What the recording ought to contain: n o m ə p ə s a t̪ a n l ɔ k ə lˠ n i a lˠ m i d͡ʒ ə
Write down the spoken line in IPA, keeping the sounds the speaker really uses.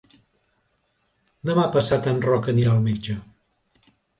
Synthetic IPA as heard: n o m a p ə s a t̪ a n r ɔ k ə n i a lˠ m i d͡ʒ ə

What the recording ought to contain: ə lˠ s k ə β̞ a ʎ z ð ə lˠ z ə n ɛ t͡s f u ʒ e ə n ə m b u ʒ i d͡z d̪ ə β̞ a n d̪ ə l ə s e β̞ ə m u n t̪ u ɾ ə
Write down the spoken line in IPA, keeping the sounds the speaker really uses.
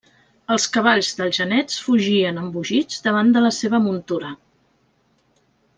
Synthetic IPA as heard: ə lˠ s k ə β̞ a ʎ z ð ə lˠ ʒ ə n ɛ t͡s f u ʒ i ə n ə m b u ʒ i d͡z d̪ ə β̞ a n d̪ ə l ə s e β̞ ə m u n t̪ u ɾ ə

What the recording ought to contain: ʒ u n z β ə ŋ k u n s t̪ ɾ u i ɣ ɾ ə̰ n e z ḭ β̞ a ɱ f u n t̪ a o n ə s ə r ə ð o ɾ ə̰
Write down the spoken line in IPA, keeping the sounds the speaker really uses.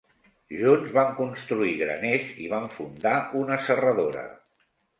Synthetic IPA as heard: ʒ u n z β a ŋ k u n s t̪ ɾ u i ɣ ɾ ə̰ n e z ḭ β̞ a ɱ f u n d̪ a u n ə s ə r ə ð o ɾ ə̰

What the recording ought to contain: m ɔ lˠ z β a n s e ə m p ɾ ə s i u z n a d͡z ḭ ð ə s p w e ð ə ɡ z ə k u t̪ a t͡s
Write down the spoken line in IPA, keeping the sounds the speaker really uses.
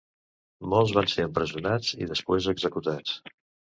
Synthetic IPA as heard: m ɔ lˠ z β a n s e ə m p ɾ ə z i u n a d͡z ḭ ð ə s p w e z ə ɡ z ə k u t̪ a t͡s

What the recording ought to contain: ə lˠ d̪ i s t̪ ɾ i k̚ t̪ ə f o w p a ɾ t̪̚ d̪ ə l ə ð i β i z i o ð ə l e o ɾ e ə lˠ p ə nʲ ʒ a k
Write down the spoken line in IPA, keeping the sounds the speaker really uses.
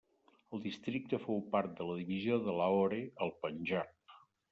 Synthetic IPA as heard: ə lˠ d̪ i s t̪ ɾ i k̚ t̪ ə f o w p a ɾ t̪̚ d̪ ə l ə ð i β i z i o ð ə l a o ɾ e ə lˠ p ə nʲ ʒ a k

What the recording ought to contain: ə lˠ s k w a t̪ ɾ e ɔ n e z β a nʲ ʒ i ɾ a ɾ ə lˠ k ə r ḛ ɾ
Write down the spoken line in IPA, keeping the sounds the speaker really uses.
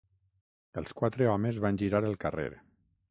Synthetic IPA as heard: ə lˠ s k w a t̪ ɾ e ɔ m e z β a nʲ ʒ i ɾ a ɾ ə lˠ k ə r ḛ ɾ

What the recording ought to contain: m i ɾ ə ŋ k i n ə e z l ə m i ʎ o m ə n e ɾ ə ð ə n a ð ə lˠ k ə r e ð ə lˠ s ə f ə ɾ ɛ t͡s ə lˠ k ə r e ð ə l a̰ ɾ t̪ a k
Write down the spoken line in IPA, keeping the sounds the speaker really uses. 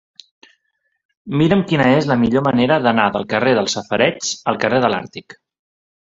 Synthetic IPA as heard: m i ɾ ə m k i n ə e z l ə m i ʎ o m ə n e ɾ ə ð ə n a ð ə lˠ k ə r e ð ə lˠ s ə f ə ɾ ɛ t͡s ə lˠ k ə r e ð ə l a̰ ɾ t̪ i k

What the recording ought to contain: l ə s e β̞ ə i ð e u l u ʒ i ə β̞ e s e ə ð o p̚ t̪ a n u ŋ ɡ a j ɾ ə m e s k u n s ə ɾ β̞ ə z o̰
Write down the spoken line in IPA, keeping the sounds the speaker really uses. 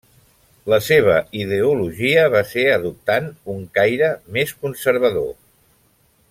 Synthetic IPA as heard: l ə s e β̞ ə i ð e u l u ʒ i ə β̞ a s e ə ð u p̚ t̪ a n u ŋ k a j ɾ ə m e s k u n s ə ɾ β̞ ə ð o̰

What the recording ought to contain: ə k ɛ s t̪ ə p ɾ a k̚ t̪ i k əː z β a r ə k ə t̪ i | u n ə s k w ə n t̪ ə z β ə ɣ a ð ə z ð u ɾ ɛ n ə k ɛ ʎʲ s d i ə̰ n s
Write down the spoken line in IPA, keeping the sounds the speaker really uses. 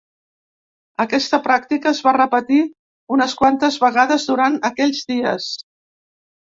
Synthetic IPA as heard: ə k ɛ s t̪ ə p ɾ a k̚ t̪ i k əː z β a r ə p ə t̪ i | u n ə s k w a n t̪ ə z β ə ɣ a ð ə z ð u ɾ a n ə k ɛ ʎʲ z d i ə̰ s

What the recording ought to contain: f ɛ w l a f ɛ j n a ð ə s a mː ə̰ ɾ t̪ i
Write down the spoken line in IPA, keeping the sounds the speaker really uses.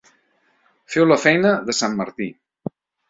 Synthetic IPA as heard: f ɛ w l ə f ɛ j n ə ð ə s a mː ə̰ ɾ t̪ i

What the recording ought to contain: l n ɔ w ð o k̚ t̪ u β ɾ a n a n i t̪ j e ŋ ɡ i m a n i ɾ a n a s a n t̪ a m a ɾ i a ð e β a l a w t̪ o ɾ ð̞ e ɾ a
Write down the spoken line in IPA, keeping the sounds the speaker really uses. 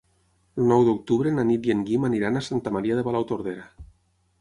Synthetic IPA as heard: l n ɔ w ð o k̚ t̪ u β ɾ e n a n i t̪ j e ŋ ɡ i m a n i ɾ a n a s a n t̪ a m a ɾ i a ð e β a l a w t̪ o ɾ ð̞ e ɾ a

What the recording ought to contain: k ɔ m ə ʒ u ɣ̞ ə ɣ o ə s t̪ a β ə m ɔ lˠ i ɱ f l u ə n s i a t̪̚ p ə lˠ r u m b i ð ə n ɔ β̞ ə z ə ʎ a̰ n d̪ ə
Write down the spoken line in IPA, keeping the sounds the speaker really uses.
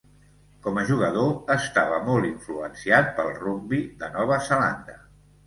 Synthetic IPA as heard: k ɔ m ə ʒ u ɣ̞ ə ð o ə s t̪ a β ə m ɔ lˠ i ɱ f l u ə n s i a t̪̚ p ə lˠ r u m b i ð ə n ɔ β̞ ə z ə l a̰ n d̪ ə

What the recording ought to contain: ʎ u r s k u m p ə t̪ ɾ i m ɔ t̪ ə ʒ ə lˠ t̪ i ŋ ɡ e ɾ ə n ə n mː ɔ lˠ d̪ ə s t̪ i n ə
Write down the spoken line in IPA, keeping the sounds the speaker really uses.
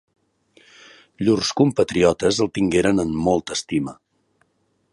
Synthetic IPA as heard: ʎ u r s k u m p ə t̪ ɾ i ɔ t̪ ə z ə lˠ t̪ i ŋ ɡ e ɾ ə n ə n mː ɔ lˠ t̪ ə s t̪ i m ə

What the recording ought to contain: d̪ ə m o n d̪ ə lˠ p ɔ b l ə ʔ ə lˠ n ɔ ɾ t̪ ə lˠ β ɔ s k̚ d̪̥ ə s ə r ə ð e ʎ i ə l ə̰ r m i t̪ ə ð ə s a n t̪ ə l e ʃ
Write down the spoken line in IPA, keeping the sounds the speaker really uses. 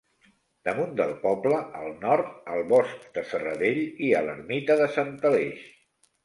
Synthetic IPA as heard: d̪ ə m u n d̪ ə lˠ p ɔ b l ə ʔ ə lˠ n ɔ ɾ t̪ ə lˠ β ɔ s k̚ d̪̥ ə s ə r ə ð e ʎ i ə l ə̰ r m i t̪ ə ð ə s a n t̪ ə l e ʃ

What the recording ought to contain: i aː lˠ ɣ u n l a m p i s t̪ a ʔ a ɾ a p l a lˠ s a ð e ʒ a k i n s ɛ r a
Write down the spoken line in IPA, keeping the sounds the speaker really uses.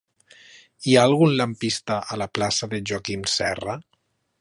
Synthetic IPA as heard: i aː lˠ ɣ u n l a m p i s t̪ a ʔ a l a p l a s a ð e ʒ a k i m s ɛ r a

